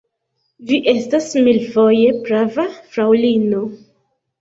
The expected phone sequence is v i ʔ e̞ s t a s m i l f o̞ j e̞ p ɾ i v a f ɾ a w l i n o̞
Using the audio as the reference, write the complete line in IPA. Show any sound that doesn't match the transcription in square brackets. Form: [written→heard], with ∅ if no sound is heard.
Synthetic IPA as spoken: v i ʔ e̞ s t a s m i l f o̞ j e̞ p ɾ [i→a] v a f ɾ a w l i n o̞